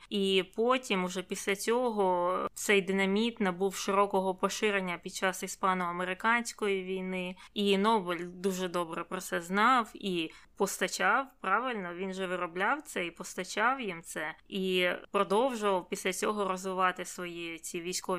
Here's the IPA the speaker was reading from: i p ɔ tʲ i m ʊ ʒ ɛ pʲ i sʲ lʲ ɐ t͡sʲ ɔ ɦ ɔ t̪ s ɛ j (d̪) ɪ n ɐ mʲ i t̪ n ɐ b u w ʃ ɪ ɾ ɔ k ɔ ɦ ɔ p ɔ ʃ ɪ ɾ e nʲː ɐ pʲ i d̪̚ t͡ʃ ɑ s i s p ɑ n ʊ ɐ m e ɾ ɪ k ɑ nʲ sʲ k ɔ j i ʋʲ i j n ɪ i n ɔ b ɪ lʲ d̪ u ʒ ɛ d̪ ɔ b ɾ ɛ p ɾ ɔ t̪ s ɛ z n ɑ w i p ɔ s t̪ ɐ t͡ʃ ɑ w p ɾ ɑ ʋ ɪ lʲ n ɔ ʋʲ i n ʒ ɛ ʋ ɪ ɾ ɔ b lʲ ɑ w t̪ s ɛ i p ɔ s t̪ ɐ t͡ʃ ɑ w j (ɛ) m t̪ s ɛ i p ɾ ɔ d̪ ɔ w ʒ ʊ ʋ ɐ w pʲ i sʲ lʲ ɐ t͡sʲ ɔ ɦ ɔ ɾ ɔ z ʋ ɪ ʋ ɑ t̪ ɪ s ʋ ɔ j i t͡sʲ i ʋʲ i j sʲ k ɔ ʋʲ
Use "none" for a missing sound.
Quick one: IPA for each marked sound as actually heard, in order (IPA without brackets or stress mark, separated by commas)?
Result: d̪, i